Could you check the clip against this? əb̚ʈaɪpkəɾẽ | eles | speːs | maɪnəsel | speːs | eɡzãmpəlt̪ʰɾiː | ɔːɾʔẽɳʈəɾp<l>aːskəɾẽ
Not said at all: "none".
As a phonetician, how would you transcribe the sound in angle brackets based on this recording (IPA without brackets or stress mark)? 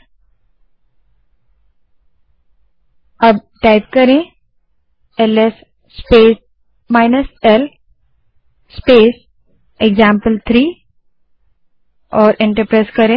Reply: ɾ